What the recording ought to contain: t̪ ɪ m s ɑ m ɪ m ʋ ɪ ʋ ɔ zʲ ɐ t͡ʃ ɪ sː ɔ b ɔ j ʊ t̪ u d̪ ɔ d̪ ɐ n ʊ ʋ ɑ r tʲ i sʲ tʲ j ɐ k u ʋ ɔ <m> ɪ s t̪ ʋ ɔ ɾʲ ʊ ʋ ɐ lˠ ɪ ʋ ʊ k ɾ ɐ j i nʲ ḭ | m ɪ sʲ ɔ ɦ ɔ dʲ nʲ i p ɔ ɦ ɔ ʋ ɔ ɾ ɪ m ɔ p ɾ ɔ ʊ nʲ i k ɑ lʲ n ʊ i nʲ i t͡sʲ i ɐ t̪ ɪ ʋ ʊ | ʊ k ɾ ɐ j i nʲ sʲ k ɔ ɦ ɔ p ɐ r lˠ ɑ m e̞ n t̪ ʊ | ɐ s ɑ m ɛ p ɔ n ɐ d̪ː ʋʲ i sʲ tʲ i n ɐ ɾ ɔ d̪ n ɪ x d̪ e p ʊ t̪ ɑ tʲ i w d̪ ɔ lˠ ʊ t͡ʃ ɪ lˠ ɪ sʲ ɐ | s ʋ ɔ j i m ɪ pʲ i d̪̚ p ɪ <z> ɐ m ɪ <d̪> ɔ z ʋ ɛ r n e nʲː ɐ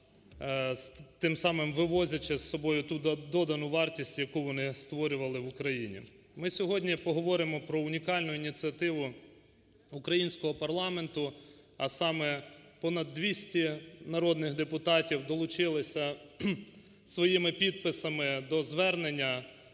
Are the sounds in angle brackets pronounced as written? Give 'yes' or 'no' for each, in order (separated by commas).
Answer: no, no, yes